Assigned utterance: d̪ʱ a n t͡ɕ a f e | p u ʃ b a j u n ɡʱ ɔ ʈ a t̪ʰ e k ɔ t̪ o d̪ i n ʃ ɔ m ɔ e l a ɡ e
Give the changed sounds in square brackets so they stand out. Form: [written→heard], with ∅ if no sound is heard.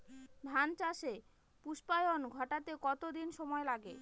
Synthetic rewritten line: d̪ʱ a n t͡ɕ a [f→ʃ] e | p u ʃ [b→p] a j [u→o] n ɡʱ ɔ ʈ a [t̪ʰ→t̪] e k ɔ t̪ o d̪ i n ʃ ɔ m ɔ e l a ɡ e